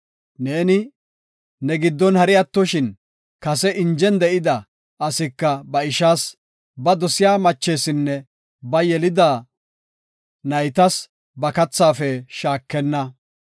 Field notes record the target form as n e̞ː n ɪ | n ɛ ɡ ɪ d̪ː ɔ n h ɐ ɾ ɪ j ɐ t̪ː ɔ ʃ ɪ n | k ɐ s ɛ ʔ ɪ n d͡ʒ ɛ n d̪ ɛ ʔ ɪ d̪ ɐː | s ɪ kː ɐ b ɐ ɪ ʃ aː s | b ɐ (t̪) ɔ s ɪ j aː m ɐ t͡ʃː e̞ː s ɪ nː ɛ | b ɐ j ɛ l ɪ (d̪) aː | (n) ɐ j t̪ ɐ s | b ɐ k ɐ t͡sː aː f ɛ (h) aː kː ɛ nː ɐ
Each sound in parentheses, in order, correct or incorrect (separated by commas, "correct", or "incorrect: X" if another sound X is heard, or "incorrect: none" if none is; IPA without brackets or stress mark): incorrect: d̪, correct, correct, incorrect: ʃ